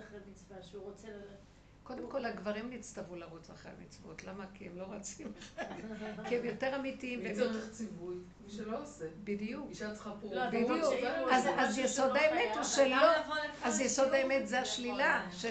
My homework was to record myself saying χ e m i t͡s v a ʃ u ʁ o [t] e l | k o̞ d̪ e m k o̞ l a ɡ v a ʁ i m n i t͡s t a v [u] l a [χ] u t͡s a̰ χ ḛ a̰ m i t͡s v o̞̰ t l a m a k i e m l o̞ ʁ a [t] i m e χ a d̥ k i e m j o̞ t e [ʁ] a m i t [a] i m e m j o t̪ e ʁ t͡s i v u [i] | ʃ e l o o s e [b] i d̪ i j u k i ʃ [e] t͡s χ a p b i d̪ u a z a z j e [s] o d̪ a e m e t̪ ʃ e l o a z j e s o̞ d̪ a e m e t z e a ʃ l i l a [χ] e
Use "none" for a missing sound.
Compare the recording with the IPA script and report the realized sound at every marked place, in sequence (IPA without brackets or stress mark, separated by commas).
t͡s, u, ʁ, t͡s, ʁ, i, j, b, a, s, ʃ